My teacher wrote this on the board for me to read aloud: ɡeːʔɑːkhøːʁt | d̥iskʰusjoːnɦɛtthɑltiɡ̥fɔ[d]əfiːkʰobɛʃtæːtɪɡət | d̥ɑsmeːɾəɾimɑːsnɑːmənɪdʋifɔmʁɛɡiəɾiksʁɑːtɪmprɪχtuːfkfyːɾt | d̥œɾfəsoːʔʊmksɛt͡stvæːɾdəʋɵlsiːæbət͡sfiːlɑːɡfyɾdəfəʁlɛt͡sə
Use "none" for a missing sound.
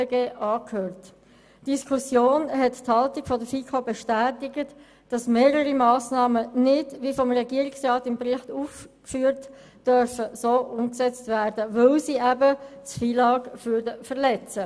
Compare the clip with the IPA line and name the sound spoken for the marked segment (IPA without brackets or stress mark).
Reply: d